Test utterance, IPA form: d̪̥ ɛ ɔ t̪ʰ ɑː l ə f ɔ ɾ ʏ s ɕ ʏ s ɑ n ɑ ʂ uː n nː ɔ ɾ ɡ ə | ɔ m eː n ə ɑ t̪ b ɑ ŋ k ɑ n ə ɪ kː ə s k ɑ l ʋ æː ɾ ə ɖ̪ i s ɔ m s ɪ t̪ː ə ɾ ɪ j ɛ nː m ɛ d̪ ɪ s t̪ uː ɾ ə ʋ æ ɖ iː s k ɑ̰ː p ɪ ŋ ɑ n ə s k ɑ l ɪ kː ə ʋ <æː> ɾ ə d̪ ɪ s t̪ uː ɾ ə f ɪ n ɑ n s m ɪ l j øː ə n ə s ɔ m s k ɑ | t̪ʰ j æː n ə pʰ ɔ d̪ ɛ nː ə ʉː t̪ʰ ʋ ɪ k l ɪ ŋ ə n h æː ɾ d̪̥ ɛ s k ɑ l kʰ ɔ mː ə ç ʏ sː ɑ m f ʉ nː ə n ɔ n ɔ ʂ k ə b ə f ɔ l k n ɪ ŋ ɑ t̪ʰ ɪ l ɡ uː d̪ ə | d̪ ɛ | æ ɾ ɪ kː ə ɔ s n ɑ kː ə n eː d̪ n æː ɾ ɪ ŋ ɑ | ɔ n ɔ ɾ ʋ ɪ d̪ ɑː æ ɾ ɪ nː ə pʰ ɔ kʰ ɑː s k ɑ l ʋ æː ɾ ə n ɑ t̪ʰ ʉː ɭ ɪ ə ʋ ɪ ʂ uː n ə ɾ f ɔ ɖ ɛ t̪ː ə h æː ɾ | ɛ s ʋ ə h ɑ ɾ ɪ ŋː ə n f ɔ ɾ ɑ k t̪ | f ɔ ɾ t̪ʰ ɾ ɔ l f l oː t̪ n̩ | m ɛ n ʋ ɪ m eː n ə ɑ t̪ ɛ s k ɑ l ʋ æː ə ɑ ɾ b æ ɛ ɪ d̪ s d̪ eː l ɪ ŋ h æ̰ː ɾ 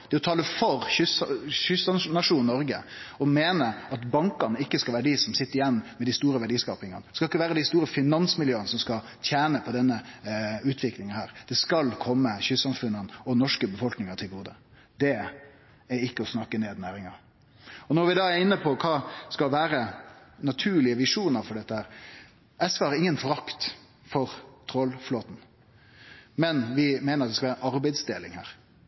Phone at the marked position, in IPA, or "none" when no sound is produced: æː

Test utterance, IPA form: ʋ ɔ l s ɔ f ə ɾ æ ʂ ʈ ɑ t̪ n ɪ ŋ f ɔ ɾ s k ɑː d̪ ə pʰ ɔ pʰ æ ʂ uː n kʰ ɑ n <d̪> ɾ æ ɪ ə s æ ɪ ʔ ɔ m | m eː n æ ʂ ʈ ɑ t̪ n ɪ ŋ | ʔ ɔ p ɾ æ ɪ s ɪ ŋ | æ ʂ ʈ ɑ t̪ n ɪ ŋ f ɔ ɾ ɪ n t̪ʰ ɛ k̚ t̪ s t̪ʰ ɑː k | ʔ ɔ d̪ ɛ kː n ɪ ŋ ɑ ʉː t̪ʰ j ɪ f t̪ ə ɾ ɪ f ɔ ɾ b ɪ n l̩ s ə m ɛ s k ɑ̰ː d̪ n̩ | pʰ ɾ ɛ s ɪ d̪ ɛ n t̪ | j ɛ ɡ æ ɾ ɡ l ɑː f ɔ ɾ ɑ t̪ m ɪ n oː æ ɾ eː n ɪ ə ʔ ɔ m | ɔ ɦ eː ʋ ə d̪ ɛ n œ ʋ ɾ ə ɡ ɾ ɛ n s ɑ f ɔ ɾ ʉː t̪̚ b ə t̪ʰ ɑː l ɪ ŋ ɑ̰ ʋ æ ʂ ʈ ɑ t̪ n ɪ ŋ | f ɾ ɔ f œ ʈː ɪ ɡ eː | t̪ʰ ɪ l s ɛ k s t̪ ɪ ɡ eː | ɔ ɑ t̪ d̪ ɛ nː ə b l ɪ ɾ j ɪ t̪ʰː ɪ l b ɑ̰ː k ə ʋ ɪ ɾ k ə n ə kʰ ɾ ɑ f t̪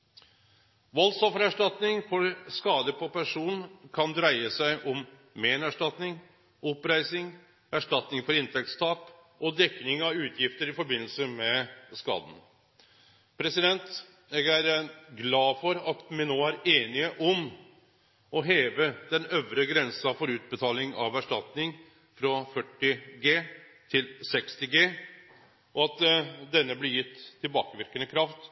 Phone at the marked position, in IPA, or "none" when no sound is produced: d̪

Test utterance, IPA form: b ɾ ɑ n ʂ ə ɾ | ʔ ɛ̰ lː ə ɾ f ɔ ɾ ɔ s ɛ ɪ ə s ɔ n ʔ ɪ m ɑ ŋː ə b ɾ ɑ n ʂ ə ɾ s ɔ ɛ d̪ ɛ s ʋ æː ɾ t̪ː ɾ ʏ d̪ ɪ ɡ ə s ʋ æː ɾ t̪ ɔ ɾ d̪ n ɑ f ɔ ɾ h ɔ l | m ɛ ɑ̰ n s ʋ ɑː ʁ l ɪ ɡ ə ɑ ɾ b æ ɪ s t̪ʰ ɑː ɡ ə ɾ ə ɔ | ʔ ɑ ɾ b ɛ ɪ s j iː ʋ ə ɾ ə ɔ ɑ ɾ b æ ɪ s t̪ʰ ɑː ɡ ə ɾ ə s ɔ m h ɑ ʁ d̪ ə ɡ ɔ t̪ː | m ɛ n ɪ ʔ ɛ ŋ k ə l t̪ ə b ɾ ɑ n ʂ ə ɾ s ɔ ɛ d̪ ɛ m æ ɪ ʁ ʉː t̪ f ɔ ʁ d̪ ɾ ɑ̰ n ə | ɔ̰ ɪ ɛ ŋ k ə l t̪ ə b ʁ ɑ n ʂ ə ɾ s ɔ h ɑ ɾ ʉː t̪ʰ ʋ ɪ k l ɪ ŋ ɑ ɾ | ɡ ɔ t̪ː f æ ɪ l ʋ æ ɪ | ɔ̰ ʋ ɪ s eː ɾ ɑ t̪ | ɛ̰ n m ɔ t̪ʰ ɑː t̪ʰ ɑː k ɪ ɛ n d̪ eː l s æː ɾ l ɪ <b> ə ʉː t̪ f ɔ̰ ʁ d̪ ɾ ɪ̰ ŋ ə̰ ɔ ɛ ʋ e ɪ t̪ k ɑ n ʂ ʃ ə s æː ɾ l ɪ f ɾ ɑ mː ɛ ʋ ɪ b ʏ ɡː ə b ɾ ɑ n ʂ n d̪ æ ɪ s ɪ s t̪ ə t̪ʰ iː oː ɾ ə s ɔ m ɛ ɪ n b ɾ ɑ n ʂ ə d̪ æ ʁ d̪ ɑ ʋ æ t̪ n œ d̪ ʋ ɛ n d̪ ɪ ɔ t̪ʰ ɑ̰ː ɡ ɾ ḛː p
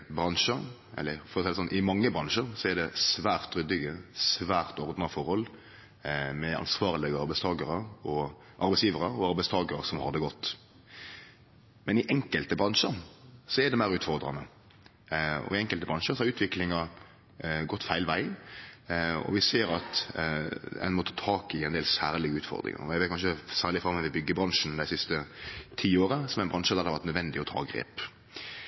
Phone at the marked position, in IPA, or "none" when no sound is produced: ɡ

